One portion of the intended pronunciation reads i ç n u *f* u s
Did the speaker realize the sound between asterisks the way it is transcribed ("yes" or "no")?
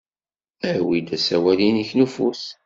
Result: yes